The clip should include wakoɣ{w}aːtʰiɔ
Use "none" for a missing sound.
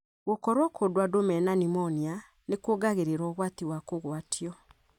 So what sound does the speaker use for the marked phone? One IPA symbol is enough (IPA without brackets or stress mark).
w